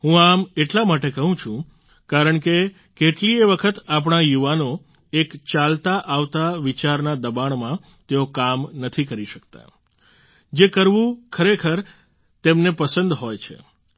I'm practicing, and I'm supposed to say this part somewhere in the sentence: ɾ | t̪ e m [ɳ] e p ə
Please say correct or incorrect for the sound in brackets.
incorrect